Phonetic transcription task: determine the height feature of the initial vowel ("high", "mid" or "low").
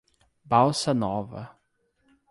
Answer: low